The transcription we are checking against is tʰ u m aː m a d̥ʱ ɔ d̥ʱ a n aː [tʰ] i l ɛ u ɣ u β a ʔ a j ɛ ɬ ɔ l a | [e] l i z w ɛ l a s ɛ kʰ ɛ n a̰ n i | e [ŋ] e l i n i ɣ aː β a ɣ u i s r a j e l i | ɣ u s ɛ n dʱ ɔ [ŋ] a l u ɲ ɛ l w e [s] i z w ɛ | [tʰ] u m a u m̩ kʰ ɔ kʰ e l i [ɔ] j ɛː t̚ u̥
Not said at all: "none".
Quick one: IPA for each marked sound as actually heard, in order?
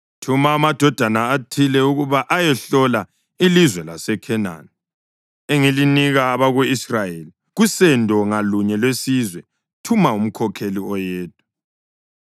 tʰ, i, ŋ, ŋ, s, tʰ, ɔ

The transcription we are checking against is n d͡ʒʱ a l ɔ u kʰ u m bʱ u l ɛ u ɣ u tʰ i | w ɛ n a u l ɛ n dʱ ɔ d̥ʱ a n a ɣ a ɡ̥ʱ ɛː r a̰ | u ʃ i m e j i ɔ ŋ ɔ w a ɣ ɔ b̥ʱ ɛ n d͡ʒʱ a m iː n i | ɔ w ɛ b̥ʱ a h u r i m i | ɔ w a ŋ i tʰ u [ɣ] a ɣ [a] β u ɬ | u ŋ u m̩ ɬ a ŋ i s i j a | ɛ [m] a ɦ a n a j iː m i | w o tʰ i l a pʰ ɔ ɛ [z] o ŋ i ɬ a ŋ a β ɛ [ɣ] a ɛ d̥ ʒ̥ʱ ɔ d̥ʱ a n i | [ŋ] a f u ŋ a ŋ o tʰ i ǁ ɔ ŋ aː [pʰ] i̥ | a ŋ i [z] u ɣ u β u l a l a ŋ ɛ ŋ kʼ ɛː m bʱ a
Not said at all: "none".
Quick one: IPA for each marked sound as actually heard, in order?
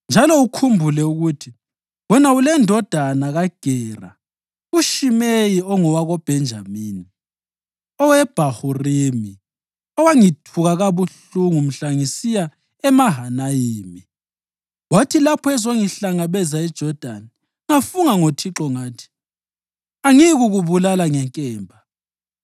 ɣ, a, m, z, z, ŋ, tʰ, ɣ

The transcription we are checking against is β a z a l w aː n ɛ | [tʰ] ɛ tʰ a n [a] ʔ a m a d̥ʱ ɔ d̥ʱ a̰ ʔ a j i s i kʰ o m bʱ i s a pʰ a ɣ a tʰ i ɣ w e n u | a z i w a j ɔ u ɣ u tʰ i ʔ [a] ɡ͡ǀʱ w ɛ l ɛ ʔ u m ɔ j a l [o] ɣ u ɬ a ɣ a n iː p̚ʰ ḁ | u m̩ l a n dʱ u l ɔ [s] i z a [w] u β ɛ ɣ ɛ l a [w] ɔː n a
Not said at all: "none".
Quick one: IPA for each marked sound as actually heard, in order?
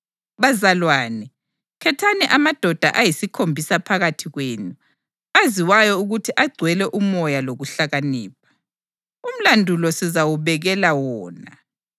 kʰ, ɛ, a, o, s, w, w

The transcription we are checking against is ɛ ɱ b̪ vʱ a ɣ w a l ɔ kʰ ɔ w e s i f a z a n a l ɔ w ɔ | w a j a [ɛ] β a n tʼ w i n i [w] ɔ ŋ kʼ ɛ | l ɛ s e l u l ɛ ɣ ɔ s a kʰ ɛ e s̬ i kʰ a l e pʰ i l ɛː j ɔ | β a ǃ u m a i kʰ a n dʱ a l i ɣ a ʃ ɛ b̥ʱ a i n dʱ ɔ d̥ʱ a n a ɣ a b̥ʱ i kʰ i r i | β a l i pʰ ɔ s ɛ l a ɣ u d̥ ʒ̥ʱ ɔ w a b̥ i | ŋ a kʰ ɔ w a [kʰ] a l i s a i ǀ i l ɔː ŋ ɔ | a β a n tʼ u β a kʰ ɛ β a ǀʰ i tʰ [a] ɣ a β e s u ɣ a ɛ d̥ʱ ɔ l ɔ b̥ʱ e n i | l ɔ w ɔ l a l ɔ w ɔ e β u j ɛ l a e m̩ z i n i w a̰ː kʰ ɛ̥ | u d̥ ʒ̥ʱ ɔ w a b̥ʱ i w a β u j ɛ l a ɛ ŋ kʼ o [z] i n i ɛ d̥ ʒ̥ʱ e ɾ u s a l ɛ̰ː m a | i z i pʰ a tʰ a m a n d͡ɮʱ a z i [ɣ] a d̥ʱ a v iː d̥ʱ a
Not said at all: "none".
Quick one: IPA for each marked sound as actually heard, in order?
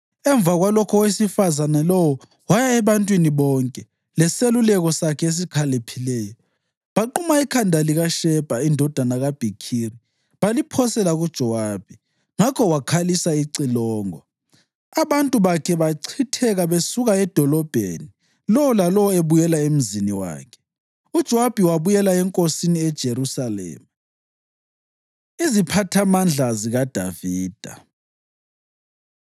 ɛ, β, kʰ, ɛ, s, ɣ

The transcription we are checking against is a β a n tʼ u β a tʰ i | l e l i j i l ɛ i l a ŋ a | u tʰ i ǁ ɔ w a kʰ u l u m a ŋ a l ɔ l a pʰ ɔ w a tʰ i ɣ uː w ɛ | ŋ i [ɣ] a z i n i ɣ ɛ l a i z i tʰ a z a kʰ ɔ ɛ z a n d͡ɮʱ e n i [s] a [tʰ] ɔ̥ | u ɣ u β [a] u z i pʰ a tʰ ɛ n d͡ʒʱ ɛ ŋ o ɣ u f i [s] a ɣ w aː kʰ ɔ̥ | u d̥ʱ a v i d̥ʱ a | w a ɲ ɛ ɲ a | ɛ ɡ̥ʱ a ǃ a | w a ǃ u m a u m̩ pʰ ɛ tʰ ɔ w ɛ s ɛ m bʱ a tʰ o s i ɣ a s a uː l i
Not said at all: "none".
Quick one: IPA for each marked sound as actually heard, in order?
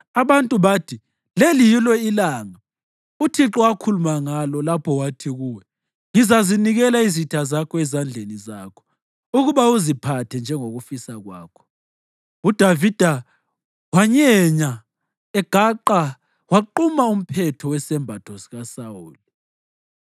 z, z, kʰ, a, s

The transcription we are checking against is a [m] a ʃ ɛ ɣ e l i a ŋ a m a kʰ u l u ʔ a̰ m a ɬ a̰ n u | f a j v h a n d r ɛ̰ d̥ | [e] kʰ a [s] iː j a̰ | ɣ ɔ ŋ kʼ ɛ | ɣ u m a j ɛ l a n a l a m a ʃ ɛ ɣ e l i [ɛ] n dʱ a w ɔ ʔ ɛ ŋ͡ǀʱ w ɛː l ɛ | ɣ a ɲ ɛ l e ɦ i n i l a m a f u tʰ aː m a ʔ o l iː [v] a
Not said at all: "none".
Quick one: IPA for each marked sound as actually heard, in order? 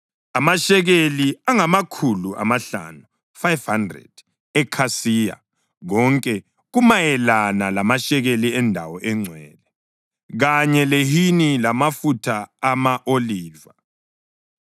m, ɛ, s, ɛ, v

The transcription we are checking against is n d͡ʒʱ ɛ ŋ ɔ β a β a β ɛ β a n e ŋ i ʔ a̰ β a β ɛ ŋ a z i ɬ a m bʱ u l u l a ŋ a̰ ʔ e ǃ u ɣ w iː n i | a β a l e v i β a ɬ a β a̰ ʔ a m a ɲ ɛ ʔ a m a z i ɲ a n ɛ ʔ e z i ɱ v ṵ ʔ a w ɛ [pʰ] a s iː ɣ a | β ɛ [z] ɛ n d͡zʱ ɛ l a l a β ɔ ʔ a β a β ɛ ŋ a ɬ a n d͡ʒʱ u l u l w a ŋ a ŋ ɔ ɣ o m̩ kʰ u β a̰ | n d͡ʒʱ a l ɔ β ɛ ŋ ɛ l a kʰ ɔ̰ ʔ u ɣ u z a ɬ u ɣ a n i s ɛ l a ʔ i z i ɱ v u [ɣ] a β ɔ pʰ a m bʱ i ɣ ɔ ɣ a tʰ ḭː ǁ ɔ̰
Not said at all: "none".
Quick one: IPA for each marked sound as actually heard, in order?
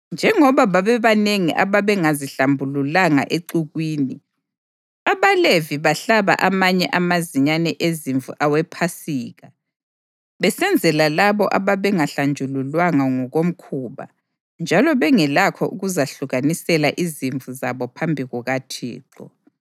pʰ, s, z

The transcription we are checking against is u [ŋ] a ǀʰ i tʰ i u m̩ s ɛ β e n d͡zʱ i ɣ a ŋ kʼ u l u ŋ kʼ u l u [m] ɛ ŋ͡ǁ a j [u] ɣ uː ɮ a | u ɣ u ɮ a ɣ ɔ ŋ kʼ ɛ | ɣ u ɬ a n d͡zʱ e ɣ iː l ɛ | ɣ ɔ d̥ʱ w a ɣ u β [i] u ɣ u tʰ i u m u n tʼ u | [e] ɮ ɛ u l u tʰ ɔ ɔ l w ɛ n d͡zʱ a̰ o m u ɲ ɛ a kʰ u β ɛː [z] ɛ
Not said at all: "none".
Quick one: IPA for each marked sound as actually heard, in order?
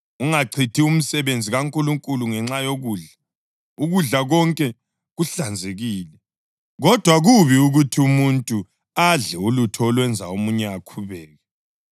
ŋ, ŋ, o, i, a, ɣ

